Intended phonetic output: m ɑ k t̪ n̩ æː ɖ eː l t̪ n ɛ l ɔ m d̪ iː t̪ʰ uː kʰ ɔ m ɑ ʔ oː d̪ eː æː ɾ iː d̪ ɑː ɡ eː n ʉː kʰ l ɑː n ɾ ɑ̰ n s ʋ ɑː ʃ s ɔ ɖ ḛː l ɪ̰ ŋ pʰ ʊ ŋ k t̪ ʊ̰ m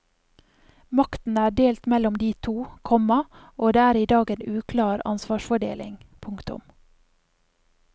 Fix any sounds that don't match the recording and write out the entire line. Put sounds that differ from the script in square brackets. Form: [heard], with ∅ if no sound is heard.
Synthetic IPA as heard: m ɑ k t̪ n̩ æː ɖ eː l t̪ [m] ɛ l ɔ m d̪ iː t̪ʰ uː kʰ ɔ m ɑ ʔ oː d̪ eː æː ɾ iː d̪ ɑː ɡ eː n ʉː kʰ l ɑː [∅] ɾ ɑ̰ n s ʋ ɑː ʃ [f] ɔ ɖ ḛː l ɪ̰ ŋ pʰ ʊ ŋ k t̪ ʊ̰ m